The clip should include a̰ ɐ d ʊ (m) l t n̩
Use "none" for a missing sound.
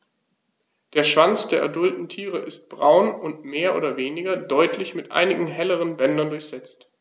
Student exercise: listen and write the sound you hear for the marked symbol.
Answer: none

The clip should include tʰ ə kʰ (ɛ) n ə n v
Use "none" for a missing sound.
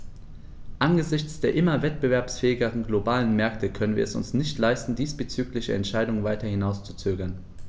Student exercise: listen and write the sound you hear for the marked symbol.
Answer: œ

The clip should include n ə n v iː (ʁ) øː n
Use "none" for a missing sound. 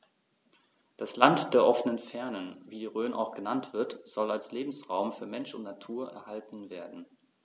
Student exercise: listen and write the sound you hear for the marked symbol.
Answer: ʁ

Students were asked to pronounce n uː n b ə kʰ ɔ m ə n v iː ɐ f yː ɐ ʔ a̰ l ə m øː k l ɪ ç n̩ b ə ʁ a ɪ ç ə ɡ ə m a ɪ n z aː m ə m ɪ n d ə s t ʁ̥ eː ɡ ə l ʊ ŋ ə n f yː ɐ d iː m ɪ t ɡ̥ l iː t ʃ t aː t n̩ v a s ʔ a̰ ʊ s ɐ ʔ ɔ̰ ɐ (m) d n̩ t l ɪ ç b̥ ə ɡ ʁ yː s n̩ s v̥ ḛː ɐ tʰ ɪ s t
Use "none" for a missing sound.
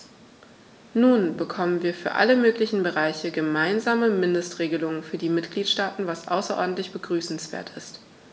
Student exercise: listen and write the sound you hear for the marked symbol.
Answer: none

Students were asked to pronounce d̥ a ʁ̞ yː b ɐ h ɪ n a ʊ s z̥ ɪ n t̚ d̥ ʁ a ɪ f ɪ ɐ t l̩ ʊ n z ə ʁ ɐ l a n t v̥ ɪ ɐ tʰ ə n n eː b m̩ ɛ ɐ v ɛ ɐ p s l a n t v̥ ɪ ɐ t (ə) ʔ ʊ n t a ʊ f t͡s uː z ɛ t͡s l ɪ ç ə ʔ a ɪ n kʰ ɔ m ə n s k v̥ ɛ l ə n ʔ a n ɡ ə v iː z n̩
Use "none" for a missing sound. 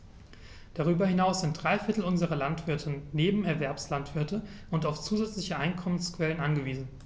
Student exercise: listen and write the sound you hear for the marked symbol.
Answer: ə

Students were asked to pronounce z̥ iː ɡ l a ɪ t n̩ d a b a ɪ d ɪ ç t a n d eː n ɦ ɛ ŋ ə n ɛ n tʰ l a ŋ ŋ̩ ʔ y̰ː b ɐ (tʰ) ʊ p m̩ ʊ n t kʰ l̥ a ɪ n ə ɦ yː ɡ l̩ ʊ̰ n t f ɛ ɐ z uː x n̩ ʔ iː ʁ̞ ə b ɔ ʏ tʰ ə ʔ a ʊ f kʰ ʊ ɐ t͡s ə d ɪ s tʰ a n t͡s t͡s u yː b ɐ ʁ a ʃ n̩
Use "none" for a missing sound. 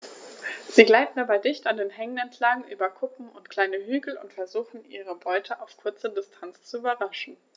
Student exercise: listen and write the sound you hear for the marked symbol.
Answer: kʰ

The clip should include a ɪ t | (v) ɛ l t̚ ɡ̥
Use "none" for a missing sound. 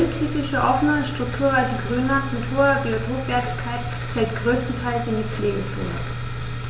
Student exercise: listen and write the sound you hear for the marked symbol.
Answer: f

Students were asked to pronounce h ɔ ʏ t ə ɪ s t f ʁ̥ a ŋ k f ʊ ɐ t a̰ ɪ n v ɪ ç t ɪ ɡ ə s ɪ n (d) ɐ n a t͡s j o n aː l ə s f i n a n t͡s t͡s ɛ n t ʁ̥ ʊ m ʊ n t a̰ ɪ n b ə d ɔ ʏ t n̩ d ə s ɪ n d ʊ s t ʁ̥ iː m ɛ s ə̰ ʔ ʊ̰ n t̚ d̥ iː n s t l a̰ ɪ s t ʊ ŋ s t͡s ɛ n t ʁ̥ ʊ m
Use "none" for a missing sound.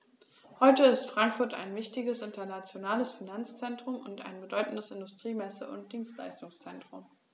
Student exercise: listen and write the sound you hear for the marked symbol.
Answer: t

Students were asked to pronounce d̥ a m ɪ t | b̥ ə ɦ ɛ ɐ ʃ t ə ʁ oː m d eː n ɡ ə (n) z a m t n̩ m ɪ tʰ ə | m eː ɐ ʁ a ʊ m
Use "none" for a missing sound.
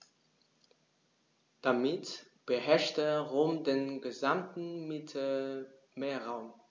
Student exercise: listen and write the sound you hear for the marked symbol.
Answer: none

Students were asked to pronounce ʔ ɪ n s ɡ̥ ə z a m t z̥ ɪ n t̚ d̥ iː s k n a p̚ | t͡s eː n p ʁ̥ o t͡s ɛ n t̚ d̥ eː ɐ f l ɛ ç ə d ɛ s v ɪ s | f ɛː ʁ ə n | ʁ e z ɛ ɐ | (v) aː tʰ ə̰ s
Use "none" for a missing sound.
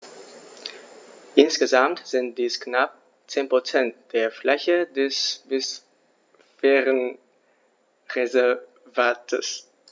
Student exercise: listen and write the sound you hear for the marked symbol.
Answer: v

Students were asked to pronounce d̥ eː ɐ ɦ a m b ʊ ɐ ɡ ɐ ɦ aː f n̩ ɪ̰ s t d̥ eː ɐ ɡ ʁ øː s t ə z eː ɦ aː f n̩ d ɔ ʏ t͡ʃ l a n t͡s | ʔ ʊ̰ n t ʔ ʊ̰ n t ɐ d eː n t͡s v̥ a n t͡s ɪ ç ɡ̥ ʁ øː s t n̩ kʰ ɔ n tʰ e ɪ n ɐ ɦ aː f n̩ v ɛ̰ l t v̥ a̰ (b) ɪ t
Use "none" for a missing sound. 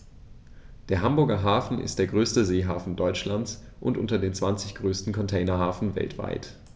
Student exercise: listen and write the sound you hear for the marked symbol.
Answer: none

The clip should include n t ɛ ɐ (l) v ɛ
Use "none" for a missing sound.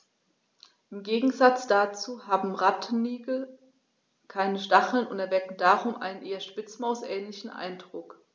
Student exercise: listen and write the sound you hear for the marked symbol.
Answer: none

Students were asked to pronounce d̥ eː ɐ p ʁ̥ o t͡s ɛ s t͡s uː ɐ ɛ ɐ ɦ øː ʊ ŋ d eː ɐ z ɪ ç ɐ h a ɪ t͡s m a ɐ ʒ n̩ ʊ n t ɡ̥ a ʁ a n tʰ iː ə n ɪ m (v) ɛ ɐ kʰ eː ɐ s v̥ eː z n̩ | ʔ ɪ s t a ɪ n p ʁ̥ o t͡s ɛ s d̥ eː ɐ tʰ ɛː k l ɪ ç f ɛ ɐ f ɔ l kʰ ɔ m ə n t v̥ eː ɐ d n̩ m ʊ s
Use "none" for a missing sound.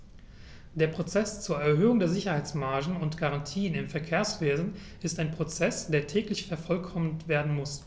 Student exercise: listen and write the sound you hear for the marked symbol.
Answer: f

